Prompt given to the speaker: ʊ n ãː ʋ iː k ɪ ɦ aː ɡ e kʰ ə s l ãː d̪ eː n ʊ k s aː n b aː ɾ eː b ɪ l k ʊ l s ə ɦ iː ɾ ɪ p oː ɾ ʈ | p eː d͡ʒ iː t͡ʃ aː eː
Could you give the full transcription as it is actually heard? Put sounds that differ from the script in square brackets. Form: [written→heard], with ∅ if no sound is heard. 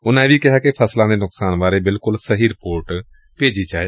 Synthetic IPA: ʊ n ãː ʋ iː k ɪ ɦ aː [ɡ→k] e [kʰ→pʰ] ə s l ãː d̪ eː n ʊ k s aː n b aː ɾ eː b ɪ l k ʊ l s ə ɦ iː ɾ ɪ p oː ɾ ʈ | p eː d͡ʒ iː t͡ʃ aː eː